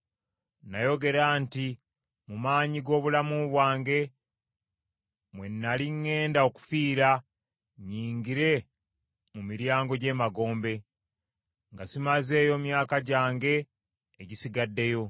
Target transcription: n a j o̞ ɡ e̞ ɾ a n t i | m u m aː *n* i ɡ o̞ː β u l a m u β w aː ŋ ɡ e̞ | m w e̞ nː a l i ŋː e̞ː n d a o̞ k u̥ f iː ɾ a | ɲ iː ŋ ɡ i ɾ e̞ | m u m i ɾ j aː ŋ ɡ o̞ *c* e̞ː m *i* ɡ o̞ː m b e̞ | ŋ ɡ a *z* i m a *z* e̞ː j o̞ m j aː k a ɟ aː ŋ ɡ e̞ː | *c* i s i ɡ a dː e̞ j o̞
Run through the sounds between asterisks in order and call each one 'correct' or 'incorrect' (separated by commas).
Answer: incorrect, incorrect, incorrect, incorrect, correct, incorrect